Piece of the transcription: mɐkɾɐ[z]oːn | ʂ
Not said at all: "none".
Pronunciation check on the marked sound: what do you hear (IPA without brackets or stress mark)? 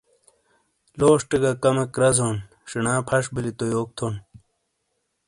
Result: z